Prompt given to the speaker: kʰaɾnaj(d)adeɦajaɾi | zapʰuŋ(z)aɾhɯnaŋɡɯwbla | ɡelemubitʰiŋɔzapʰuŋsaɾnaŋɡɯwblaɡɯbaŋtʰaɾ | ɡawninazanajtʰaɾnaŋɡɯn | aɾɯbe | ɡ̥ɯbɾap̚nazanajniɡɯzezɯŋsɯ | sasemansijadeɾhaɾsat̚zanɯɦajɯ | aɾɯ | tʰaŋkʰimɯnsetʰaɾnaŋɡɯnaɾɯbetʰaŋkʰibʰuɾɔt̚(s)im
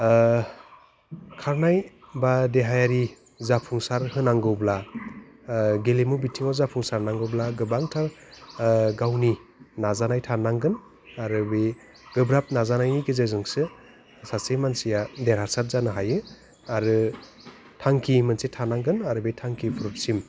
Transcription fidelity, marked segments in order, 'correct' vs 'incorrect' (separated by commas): incorrect, incorrect, correct